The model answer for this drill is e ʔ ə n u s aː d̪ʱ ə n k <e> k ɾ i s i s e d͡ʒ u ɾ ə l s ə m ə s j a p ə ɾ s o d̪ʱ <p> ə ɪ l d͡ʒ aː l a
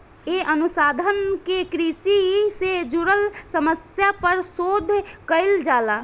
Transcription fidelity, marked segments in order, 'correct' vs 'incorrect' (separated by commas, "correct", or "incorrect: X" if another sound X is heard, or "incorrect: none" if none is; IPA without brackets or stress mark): correct, incorrect: k